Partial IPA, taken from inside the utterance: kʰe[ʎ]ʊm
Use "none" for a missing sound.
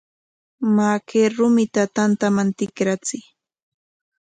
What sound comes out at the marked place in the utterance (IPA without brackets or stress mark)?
ɾ